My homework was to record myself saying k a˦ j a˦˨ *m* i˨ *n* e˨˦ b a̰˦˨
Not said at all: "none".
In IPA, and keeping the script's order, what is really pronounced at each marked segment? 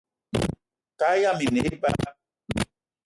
m, n

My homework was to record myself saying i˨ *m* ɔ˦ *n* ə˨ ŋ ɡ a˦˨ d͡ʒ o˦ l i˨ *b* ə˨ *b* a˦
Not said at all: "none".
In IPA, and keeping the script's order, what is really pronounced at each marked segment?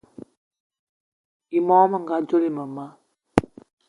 m, m, m, m

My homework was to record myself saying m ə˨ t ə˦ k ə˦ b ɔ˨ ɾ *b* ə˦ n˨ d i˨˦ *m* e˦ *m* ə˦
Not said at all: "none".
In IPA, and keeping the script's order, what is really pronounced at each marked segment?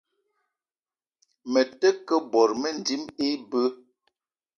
m, m, b

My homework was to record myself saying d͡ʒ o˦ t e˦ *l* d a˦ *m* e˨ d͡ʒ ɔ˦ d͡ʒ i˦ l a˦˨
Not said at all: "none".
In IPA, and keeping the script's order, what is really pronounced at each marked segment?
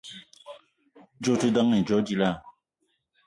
none, ŋ

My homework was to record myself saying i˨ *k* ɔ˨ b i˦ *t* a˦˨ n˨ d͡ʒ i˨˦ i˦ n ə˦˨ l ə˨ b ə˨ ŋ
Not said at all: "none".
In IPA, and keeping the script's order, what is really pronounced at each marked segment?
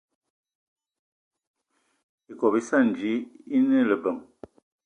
k, s

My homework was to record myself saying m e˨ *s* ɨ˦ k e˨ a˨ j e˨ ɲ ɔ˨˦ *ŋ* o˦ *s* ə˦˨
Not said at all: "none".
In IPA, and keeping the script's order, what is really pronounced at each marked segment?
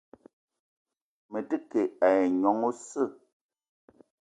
t, ŋ, s

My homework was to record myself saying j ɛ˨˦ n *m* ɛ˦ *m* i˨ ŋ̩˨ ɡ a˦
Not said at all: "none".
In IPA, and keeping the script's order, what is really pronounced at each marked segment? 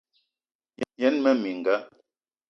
m, m

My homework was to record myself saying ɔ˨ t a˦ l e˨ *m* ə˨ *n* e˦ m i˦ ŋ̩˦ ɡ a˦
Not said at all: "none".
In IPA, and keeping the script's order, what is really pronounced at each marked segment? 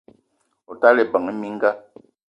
b, ŋ

